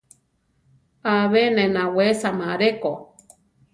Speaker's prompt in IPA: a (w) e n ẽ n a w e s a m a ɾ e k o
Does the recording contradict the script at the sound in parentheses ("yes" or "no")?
yes